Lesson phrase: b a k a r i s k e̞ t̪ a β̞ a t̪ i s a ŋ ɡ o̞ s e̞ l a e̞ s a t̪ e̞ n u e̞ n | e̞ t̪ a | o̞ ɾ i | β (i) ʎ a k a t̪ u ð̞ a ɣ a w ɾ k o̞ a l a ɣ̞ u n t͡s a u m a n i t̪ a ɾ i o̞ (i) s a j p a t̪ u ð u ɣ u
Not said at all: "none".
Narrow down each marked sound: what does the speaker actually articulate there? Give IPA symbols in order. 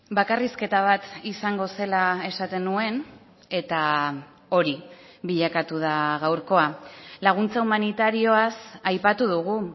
i, a

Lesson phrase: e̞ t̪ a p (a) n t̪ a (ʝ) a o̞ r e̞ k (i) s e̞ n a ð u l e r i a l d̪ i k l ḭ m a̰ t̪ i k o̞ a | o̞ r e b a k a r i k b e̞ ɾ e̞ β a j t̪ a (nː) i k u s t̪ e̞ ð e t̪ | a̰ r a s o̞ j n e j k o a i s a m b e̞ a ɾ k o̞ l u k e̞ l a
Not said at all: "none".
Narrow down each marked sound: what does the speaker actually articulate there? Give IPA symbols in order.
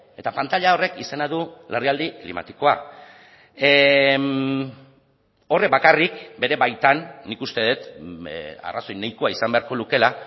a, ʎ, i, nː

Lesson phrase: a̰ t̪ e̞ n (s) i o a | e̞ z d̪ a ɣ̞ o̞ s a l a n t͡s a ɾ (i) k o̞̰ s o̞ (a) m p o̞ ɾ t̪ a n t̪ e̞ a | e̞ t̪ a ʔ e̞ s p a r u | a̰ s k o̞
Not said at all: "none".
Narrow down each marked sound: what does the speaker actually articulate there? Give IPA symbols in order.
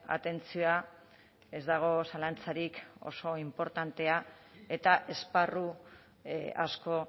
t͡s, i, i

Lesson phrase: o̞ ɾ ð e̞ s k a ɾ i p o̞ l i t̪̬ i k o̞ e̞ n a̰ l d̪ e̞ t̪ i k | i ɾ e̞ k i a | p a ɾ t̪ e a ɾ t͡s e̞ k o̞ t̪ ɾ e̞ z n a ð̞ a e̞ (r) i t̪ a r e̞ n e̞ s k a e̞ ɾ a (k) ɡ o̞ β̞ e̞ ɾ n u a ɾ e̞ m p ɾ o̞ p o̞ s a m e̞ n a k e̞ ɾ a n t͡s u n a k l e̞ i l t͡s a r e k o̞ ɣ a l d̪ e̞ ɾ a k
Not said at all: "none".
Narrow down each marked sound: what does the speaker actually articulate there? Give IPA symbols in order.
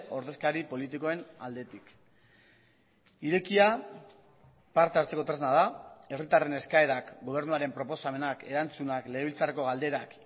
r, k

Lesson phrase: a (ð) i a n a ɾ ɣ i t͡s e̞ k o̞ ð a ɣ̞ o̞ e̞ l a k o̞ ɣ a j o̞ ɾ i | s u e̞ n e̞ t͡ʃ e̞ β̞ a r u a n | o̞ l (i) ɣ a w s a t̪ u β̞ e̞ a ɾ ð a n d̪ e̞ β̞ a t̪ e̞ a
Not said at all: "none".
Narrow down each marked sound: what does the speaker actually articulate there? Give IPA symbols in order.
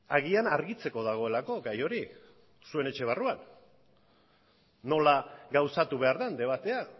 ɣ, a

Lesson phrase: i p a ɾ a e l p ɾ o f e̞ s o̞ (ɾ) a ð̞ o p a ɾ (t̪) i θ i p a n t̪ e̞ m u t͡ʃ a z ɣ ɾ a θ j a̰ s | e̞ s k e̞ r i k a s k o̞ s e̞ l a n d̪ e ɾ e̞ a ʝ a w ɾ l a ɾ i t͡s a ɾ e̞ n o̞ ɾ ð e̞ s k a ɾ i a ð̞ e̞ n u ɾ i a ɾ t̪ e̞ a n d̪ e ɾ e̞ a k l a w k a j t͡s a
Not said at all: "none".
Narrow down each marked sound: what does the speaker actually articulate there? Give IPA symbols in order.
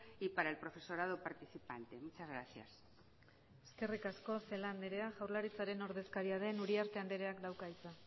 ɾ, t̪

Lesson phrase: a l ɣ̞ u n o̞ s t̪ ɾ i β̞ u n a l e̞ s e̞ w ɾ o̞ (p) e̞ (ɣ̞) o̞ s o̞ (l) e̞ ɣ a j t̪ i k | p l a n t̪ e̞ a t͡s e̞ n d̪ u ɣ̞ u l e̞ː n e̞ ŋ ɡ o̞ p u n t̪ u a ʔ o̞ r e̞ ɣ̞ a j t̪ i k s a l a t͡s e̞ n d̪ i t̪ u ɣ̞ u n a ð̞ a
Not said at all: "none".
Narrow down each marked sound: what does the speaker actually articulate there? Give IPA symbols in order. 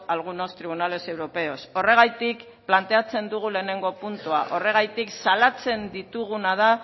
p, none, r

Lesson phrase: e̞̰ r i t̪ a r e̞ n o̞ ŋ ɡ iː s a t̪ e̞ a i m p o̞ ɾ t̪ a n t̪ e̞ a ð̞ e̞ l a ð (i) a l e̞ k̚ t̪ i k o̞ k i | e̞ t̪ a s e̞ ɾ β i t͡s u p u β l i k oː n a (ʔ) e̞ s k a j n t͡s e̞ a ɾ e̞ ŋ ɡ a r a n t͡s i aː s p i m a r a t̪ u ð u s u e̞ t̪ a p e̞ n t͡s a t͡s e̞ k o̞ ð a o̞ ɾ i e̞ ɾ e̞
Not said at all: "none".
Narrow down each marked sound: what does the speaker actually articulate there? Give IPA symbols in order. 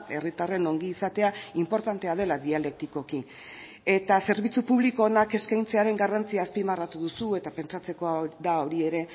i, k

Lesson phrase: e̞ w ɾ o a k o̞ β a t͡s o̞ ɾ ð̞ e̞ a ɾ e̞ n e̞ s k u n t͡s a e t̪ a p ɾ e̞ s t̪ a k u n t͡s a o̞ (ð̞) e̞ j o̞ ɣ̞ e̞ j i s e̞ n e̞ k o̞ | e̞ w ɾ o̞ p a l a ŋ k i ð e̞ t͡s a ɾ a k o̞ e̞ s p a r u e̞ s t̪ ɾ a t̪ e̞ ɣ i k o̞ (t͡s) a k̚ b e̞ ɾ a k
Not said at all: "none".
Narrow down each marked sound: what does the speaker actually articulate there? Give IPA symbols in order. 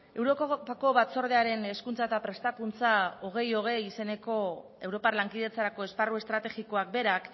ɣ̞, none

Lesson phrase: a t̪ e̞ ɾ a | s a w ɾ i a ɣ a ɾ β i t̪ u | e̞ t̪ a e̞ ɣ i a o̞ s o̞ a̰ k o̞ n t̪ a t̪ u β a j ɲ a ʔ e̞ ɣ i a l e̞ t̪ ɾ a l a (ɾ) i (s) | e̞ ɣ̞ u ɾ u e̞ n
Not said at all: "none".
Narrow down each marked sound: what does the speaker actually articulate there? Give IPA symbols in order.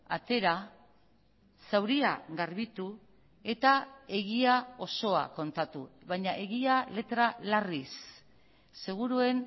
r, sː

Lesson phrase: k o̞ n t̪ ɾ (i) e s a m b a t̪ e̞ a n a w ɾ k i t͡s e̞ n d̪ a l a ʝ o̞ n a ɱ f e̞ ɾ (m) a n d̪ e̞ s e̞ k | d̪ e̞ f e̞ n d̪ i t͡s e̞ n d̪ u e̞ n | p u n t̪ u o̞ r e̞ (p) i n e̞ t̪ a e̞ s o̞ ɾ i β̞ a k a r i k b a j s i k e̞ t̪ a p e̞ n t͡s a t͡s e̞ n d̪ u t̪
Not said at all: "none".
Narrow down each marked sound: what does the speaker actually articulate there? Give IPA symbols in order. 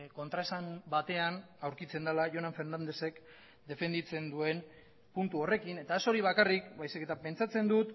a, n, k

